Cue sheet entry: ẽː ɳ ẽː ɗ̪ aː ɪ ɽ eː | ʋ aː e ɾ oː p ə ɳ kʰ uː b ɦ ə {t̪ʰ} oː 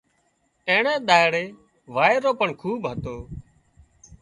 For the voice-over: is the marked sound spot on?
no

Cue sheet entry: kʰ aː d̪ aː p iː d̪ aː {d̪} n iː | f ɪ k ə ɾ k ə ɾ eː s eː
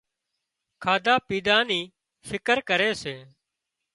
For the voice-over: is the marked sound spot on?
no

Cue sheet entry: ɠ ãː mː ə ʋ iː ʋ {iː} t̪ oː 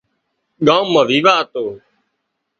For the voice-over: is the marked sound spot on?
no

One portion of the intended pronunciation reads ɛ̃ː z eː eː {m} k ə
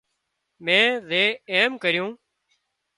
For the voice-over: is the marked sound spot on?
yes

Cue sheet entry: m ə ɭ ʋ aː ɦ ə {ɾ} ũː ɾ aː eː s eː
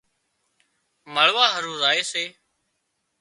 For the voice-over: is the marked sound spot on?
yes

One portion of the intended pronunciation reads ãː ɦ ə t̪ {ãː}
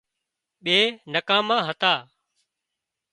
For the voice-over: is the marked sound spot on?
no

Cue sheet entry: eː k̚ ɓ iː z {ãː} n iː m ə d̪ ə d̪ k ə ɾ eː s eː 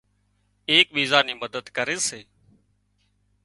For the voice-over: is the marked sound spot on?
no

